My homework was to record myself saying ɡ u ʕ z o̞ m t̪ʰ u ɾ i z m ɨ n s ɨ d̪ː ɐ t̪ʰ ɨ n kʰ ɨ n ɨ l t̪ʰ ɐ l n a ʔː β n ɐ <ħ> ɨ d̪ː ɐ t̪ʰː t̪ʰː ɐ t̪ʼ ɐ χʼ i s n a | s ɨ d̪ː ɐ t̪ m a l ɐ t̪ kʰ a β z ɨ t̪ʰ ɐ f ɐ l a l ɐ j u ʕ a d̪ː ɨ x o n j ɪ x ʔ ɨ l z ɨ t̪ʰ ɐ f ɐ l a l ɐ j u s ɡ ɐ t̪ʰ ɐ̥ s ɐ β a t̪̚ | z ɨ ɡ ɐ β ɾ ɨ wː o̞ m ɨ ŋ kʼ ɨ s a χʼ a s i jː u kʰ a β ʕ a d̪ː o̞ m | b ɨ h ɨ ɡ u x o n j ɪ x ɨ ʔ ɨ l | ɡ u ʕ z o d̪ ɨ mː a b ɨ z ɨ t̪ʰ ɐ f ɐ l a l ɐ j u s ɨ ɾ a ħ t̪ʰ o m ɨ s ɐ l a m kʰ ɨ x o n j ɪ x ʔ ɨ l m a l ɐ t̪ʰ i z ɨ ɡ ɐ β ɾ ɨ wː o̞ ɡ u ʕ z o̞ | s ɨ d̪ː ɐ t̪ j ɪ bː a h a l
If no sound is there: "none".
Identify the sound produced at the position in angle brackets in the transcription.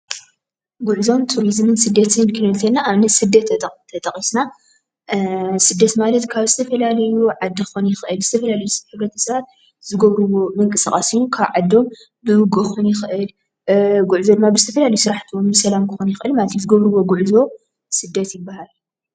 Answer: s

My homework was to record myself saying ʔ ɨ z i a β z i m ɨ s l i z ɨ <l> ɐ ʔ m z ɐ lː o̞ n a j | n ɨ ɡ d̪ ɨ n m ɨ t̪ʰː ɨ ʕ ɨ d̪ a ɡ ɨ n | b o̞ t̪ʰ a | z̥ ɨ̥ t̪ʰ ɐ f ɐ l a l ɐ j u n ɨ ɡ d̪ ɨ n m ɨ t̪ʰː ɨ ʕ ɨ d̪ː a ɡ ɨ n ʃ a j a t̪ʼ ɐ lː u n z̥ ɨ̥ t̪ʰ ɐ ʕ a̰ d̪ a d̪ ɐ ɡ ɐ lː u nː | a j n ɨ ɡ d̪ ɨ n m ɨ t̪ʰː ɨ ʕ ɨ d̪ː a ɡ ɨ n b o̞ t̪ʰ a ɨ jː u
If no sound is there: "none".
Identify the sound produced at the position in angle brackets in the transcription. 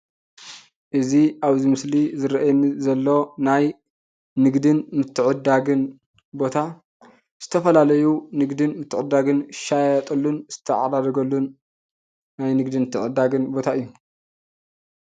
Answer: ɾ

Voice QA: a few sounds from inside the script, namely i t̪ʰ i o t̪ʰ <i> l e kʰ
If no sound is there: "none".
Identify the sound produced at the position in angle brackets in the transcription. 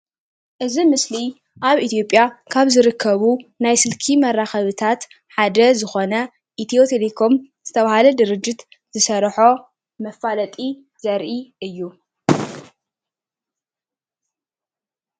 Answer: e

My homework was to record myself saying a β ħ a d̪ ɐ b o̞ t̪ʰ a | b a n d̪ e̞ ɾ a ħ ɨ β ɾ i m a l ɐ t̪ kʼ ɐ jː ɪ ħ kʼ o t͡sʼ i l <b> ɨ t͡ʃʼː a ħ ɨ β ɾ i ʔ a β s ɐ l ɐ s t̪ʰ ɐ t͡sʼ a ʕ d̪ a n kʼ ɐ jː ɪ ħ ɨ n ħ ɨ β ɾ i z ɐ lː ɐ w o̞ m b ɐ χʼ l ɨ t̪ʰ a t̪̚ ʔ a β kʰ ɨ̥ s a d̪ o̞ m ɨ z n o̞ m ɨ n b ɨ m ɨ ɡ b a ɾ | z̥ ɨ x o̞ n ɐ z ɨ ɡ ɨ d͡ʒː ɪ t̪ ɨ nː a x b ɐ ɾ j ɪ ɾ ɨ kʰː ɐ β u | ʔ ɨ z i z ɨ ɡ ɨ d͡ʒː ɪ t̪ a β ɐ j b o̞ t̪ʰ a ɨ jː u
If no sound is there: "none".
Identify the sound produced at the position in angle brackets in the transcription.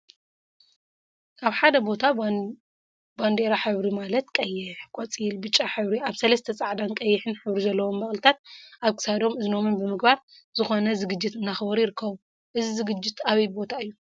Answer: b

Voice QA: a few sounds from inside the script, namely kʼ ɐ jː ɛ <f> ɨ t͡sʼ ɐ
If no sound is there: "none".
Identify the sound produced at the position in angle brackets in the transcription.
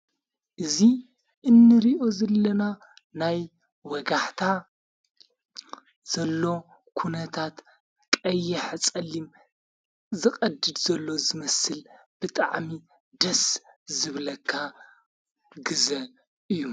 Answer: ħ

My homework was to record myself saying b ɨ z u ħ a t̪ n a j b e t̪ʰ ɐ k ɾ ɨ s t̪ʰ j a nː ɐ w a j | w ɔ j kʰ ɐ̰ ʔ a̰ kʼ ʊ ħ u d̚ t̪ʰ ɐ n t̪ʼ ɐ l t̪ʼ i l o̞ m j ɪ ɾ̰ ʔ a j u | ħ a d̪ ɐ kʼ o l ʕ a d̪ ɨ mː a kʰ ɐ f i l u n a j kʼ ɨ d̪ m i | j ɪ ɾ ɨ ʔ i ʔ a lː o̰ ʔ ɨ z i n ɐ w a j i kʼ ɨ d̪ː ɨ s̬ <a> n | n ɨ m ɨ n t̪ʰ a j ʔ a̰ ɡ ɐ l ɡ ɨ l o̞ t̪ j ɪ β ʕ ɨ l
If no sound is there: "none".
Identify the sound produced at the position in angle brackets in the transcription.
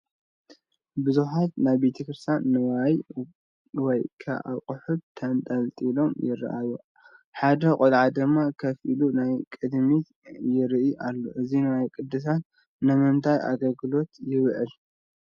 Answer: a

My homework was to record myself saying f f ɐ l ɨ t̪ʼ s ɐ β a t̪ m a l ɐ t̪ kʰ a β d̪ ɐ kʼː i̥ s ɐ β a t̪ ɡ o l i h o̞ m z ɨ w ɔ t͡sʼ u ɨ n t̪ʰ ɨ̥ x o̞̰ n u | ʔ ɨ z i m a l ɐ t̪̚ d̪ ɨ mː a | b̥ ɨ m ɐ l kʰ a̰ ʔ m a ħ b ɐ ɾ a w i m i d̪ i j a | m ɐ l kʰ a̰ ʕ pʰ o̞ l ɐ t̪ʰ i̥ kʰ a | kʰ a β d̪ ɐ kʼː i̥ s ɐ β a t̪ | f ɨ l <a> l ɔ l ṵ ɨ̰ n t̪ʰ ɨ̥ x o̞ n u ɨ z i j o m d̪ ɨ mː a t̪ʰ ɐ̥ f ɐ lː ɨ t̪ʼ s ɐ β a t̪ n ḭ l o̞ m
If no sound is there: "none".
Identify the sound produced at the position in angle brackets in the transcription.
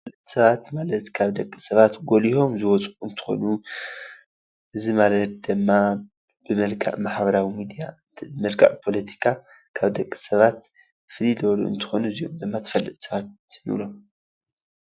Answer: i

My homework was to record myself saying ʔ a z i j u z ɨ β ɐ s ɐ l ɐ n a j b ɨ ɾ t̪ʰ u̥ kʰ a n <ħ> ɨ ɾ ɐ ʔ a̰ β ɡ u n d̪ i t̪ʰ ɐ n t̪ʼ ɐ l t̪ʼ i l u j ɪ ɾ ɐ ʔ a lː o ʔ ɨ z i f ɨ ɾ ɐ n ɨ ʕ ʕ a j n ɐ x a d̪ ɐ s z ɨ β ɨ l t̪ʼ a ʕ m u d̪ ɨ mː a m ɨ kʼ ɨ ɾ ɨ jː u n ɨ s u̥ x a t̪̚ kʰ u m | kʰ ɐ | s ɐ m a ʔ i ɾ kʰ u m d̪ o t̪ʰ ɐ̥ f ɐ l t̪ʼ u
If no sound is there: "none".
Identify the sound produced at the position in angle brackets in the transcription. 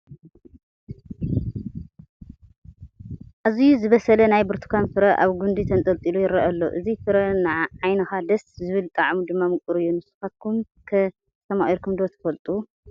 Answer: f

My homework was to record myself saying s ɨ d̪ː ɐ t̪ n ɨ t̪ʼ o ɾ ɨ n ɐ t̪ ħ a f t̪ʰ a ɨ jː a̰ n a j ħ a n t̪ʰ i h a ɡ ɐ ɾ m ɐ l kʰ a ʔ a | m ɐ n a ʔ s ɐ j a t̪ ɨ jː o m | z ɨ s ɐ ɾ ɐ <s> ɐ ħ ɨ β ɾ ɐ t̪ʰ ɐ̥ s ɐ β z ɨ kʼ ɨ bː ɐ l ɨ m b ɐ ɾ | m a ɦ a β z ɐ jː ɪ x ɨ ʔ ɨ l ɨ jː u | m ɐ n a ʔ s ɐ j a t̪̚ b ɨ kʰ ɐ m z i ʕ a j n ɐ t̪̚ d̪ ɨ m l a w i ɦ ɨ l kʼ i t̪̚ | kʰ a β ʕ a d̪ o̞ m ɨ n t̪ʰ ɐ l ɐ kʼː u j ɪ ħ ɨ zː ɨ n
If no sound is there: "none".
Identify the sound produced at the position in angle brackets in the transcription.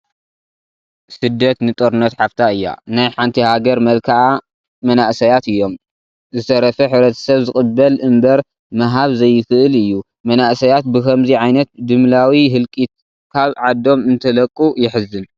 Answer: f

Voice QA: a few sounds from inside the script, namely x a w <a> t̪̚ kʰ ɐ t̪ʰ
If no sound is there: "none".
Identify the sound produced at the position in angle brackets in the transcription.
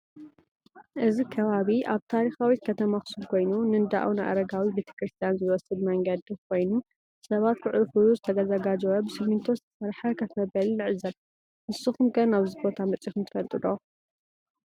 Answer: i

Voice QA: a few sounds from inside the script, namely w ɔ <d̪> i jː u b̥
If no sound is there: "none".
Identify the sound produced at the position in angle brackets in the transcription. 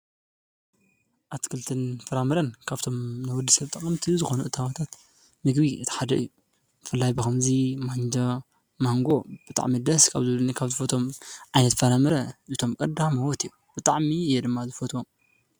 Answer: t̪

